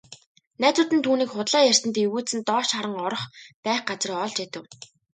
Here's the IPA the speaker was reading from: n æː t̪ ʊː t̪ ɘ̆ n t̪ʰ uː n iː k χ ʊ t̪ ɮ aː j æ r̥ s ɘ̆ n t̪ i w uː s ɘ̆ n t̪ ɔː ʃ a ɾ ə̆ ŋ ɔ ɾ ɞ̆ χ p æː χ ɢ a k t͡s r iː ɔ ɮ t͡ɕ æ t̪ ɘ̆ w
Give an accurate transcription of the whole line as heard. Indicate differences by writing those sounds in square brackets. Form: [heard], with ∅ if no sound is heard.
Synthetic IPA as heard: n æː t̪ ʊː t̪ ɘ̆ n t̪ʰ uː n iː k χ ʊ t̪ ɮ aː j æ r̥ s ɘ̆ n t̪ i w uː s ɘ̆ n t̪ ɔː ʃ a ɾ ə̆ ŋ ɔ ɾ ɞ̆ χ p æː χ ɢ a [∅] t͡s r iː ɔ ɮ t͡ɕ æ t̪ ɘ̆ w